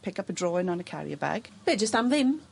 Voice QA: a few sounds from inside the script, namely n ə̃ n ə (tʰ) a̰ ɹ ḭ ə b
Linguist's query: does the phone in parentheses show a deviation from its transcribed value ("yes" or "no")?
yes